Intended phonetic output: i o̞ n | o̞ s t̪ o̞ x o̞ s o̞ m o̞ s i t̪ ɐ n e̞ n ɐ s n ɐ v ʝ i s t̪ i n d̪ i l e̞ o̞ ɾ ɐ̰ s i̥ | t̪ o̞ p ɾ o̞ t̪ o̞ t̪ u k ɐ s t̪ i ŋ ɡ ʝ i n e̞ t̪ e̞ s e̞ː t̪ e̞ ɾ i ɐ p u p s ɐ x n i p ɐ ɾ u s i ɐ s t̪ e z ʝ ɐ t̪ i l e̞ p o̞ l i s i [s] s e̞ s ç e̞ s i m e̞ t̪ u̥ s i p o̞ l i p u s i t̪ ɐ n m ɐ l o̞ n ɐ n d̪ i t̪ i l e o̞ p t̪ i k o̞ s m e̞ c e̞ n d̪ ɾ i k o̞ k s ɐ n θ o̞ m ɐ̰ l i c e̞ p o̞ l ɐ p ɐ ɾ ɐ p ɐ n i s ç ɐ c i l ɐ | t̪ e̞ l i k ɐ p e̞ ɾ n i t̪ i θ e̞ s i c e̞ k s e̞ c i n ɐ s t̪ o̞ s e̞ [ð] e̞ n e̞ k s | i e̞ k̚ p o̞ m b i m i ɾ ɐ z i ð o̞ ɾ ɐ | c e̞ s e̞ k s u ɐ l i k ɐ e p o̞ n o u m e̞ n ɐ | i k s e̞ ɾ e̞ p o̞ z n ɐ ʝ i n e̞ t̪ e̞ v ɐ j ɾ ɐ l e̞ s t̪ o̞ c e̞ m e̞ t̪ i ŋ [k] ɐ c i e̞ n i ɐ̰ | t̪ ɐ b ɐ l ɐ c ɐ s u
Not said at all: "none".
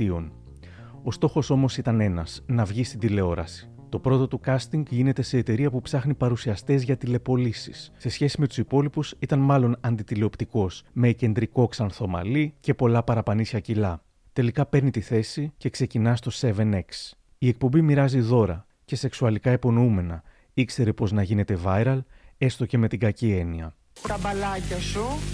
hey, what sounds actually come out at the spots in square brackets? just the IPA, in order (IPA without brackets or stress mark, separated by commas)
s, v, ɡ